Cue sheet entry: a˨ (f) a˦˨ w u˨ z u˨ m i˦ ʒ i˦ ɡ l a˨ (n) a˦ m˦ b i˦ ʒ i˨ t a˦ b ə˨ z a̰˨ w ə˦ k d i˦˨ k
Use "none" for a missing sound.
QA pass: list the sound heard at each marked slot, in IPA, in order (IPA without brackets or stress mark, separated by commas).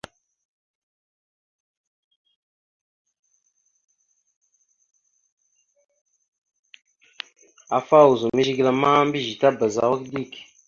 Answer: f, m